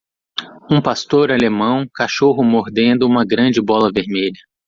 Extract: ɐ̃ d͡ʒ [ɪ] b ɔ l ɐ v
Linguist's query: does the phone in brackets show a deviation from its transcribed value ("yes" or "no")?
no